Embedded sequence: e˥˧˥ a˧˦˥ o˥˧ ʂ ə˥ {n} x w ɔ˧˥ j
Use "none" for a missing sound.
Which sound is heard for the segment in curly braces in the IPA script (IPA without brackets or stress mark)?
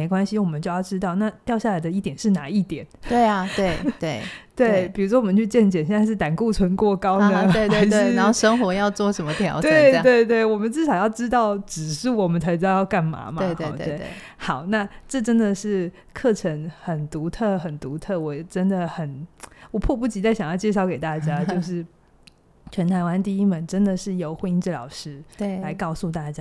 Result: ŋ